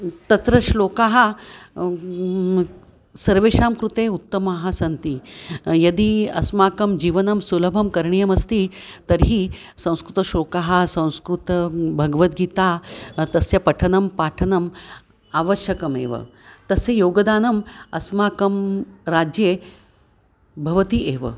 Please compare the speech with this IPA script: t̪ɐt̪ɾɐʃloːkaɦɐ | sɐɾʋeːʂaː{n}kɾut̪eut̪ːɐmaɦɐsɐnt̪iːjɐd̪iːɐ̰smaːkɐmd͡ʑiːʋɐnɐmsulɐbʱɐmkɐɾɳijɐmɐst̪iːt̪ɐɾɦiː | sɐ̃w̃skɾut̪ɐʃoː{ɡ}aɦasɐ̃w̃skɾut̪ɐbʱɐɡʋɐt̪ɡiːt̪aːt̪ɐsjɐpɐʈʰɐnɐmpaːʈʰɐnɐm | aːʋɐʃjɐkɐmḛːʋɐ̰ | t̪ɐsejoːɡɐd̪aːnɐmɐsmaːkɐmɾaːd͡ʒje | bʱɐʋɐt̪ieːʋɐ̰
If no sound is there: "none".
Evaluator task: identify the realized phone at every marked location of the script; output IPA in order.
m, k

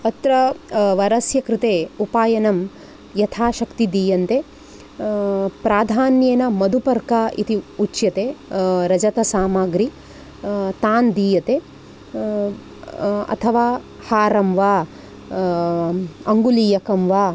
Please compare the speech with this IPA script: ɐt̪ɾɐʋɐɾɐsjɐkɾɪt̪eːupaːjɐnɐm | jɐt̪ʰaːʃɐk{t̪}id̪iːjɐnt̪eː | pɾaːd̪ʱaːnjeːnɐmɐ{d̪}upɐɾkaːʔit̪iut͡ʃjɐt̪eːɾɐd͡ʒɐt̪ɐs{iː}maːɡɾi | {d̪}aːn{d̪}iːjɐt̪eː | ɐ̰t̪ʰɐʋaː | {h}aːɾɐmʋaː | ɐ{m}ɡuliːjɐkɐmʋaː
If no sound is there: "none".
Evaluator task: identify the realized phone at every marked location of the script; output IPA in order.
t̪, d̪, aː, t̪, d̪, h, ŋ

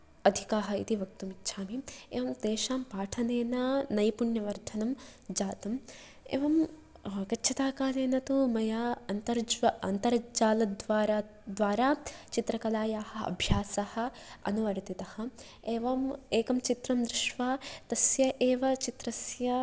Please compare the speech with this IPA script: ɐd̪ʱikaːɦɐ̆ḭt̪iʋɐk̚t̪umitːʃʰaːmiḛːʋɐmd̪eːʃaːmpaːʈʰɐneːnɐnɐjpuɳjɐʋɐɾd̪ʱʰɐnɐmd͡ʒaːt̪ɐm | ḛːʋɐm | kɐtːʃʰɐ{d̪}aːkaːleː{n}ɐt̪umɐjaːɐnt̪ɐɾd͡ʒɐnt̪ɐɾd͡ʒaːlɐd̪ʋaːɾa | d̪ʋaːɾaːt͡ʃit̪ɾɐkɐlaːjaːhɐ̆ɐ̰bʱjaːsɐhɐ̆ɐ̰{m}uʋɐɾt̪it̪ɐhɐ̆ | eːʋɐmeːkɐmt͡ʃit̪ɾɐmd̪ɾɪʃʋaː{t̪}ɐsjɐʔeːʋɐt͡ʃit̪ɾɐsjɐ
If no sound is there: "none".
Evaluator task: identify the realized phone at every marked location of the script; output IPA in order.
t̪, n, n, t̪

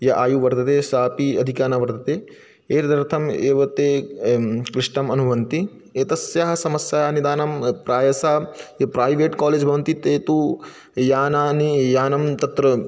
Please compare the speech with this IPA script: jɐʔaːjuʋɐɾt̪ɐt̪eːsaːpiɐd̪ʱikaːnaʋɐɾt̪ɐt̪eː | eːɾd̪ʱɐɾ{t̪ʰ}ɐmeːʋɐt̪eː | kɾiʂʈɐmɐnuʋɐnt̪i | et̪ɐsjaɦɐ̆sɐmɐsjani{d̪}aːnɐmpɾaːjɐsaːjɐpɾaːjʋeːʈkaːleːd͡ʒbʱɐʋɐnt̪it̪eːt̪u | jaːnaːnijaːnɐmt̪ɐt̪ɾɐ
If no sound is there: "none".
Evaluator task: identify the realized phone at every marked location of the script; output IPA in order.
t̪ʰ, d̪

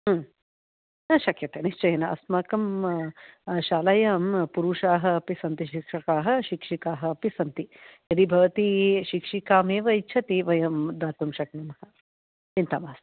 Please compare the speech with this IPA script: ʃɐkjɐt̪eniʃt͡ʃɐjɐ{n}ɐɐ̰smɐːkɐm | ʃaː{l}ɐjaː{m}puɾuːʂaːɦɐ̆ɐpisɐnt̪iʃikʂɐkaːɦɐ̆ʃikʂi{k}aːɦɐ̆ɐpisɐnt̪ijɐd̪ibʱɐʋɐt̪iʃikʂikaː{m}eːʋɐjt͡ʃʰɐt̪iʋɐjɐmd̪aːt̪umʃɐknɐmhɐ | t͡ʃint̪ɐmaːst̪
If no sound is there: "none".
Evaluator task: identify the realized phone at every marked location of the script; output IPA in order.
n, l, m, k, m

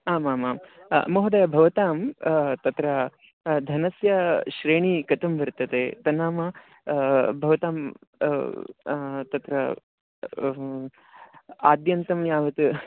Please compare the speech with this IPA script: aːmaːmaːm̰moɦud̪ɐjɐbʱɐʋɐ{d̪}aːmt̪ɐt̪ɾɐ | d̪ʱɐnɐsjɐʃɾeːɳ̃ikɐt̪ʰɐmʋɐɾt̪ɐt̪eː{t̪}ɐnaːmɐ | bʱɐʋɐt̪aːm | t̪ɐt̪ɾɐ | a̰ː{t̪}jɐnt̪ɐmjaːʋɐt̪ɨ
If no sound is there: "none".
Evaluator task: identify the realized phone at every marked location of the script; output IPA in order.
t̪, t̪, d̪

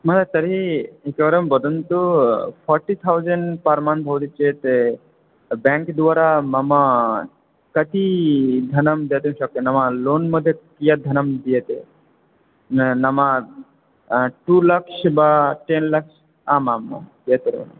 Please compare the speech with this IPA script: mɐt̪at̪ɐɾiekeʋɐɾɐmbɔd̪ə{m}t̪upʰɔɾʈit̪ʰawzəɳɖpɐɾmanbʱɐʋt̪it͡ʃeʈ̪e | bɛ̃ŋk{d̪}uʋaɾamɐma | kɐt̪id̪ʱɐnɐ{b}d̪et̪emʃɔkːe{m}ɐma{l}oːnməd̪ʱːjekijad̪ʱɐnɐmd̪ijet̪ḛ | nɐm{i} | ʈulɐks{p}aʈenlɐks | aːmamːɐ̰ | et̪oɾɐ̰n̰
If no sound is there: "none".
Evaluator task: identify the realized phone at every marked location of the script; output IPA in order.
n, d̪, m, n, l, a, b

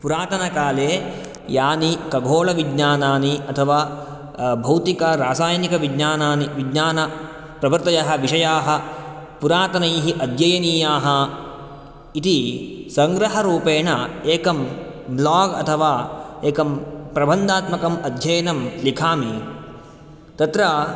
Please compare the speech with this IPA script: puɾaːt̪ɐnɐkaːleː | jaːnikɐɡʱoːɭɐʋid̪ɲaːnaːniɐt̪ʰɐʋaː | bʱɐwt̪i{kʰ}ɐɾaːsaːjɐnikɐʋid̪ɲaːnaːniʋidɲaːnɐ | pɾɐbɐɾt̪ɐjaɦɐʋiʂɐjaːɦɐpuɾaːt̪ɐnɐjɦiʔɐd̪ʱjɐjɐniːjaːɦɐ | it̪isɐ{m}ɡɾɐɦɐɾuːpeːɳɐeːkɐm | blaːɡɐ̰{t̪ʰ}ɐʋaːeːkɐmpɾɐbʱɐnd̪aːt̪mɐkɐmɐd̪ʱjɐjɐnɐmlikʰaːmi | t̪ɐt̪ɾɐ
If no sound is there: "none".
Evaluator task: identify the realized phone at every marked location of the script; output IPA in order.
k, ŋ, t̪ʰ

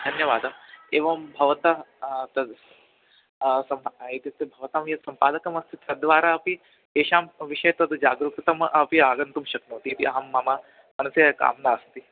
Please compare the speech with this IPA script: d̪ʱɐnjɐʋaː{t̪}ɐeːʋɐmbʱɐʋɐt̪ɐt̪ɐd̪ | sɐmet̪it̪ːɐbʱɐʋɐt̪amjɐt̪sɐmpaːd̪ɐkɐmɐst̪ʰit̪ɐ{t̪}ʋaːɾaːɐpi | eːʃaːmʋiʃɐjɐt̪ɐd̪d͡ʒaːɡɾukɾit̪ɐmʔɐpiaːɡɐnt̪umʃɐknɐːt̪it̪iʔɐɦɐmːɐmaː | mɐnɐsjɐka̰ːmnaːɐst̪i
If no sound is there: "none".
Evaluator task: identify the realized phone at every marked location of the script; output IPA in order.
d̪, d̪

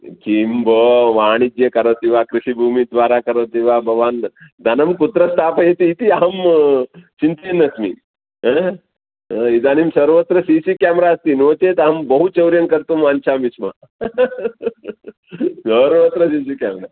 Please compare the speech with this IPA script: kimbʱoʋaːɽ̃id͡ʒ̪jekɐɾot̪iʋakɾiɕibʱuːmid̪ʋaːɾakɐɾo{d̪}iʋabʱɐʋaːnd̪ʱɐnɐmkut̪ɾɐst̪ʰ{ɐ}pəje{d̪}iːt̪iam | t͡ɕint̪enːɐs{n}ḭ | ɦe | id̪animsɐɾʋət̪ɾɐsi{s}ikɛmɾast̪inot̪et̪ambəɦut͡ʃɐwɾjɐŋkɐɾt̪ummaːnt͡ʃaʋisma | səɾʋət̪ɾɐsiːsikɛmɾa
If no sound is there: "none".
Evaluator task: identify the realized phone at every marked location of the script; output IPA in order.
t̪, a, t̪, m, s

